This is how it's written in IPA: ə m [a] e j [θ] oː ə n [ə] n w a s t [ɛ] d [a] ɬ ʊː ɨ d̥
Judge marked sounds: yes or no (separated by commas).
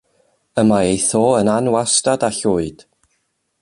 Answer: yes, yes, no, no, yes